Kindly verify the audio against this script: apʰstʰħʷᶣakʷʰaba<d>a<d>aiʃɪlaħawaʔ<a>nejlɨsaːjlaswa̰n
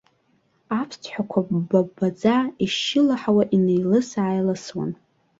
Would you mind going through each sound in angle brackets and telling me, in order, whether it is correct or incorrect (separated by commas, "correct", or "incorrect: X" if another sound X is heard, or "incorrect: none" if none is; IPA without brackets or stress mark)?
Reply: incorrect: b, incorrect: d͡z, incorrect: i